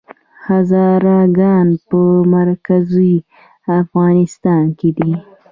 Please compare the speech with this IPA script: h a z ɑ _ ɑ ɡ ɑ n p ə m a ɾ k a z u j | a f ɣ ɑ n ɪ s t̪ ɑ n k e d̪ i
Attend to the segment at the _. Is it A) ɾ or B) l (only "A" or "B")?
A